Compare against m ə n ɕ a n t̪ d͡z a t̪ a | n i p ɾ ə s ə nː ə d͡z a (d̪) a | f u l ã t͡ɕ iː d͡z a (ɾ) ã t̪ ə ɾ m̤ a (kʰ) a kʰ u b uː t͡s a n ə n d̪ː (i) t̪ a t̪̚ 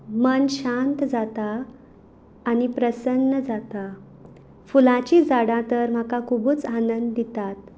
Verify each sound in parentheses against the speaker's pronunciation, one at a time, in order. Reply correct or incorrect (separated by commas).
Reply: incorrect, incorrect, incorrect, correct